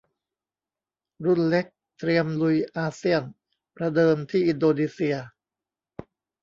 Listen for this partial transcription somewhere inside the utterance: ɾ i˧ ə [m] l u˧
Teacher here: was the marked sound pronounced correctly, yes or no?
yes